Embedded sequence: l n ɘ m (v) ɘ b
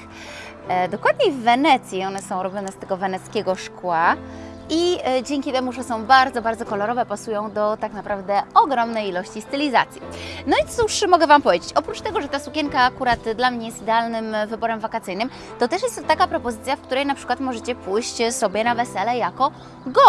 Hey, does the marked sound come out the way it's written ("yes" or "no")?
yes